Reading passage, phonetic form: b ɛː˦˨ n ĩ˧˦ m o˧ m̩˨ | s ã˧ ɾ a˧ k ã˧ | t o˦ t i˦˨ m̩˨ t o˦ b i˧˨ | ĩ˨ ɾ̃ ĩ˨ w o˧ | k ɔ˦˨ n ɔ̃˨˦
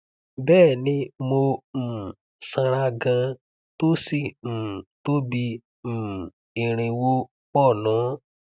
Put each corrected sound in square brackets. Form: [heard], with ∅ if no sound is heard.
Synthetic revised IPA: b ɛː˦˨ n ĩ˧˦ m o˧ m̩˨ | s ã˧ ɾ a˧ [ɡ] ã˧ | t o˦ [s] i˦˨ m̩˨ t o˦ b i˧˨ | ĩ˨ ɾ̃ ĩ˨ w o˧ | [k͡p] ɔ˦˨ n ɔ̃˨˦